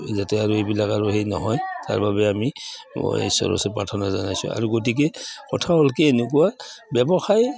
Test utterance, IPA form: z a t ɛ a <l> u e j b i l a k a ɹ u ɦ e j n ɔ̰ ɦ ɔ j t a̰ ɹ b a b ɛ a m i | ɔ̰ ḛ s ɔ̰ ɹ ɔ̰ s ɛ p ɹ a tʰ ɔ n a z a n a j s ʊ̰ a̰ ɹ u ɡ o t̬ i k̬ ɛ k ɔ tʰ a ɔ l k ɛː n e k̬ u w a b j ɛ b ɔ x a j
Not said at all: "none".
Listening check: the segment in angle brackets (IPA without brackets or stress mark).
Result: ɹ